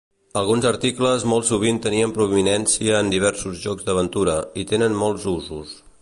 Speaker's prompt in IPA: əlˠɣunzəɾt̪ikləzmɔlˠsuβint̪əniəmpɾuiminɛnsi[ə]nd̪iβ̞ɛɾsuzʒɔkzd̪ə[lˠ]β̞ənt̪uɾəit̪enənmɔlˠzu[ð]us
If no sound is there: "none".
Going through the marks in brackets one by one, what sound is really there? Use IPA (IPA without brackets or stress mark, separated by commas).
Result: əː, none, z